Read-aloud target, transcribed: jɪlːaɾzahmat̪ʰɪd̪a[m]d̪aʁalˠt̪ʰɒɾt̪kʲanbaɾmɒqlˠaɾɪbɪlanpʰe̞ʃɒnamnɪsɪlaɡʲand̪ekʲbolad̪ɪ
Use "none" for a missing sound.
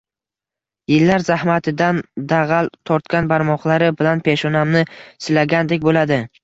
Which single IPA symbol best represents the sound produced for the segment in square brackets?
n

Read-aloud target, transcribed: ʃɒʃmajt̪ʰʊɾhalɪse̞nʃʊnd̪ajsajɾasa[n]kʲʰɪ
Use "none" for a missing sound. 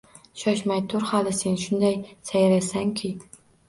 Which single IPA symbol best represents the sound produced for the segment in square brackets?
ŋ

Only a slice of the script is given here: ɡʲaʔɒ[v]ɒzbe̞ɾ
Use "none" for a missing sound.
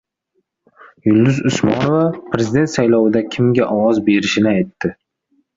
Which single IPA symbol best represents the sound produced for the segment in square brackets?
w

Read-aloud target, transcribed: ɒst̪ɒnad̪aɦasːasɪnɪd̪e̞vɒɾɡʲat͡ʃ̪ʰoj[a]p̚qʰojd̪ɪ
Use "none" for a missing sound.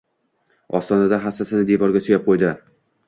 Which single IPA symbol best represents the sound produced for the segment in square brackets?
a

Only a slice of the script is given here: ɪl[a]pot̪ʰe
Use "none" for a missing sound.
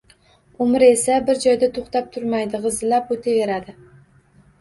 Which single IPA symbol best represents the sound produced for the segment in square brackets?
a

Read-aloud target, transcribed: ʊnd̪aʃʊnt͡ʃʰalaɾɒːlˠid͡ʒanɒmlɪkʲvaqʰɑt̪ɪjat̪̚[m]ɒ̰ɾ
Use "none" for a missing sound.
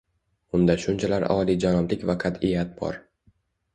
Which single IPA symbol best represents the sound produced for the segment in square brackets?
b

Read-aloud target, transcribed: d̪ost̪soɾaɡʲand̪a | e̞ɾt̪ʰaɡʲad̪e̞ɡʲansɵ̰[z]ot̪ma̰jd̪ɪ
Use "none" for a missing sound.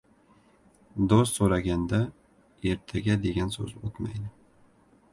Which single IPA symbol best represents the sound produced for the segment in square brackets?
z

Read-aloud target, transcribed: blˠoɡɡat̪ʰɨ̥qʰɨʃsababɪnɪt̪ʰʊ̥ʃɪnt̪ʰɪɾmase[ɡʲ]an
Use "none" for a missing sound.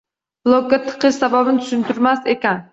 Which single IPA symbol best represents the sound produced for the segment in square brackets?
kʲ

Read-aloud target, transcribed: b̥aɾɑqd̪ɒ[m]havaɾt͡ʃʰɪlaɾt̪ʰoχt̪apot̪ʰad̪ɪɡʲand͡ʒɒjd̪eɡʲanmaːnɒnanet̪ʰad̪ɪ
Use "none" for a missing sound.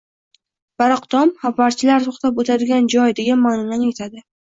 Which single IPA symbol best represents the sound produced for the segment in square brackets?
m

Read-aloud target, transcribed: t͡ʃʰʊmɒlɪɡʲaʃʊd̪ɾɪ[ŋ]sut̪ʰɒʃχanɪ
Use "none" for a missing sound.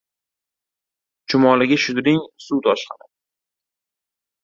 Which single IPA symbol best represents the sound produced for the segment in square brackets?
ŋ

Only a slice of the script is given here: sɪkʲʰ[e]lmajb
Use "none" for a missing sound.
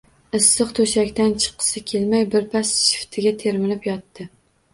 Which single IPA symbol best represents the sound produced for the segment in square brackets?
e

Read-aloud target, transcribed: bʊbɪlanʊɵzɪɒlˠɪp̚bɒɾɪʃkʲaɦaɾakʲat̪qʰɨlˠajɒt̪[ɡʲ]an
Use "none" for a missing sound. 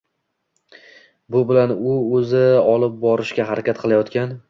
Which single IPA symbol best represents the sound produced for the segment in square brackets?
kʲ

